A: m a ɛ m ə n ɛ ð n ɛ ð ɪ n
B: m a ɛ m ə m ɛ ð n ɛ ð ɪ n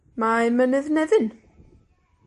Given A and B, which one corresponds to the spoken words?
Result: A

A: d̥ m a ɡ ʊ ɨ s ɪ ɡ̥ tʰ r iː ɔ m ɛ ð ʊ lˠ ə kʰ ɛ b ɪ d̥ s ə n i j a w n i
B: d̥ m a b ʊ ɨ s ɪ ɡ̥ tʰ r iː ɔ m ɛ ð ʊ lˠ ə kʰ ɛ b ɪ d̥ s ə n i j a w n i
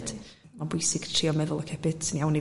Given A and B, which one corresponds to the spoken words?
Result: B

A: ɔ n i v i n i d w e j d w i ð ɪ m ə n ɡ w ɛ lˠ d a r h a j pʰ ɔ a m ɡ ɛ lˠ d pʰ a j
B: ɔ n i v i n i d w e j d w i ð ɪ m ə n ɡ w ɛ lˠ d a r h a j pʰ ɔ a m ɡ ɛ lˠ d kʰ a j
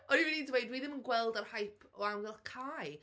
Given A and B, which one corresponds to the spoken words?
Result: B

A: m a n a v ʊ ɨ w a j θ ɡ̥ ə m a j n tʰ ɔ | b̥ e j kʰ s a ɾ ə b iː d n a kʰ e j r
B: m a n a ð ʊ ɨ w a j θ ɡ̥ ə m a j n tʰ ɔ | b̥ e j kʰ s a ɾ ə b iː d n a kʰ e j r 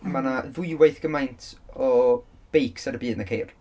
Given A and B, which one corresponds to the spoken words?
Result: B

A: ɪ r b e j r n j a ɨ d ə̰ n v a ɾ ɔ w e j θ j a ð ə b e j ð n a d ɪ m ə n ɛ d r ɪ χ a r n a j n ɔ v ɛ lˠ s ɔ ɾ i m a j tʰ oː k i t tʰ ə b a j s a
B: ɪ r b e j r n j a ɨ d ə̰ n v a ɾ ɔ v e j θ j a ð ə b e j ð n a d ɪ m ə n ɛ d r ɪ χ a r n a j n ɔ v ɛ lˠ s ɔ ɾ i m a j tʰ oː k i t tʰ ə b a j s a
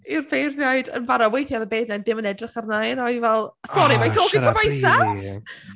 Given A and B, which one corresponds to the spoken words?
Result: A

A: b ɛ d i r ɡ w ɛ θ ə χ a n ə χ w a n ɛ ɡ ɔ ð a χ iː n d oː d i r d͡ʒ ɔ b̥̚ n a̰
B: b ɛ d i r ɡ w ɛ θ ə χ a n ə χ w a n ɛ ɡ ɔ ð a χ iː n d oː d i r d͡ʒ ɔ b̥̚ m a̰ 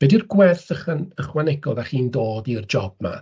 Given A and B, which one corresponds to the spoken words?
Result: B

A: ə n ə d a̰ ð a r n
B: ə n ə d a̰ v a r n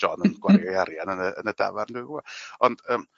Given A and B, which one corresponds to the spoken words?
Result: B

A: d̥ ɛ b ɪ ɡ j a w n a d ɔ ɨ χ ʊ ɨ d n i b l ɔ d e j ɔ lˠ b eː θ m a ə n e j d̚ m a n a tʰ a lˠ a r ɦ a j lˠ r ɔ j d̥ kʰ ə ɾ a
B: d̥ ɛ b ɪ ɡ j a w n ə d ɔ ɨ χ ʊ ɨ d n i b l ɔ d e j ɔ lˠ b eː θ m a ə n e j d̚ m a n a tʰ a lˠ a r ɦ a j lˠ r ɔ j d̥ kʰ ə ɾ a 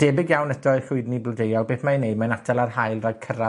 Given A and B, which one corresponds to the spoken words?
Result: B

